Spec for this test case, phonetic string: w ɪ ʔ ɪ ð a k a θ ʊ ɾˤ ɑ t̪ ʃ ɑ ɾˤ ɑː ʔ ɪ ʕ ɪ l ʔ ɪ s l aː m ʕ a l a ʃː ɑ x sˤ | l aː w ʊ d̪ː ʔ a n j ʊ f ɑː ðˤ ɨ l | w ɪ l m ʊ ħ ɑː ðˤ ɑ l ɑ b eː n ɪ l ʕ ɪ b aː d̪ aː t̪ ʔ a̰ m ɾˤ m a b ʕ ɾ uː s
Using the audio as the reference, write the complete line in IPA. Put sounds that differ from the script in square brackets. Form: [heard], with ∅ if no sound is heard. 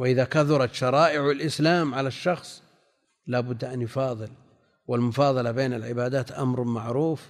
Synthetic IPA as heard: w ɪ ʔ ɪ ð a k a θ ʊ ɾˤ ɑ t̪ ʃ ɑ ɾˤ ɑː ʔ ɪ ʕ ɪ l ʔ ɪ s l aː m ʕ a l a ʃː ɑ x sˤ | l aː [b] ʊ d̪ː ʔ a n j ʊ f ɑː ðˤ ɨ l | w ɪ l m ʊ [f] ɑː ðˤ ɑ l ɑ b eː n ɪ l ʕ ɪ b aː d̪ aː t̪ ʔ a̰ m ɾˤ m a [∅] ʕ ɾ uː [f]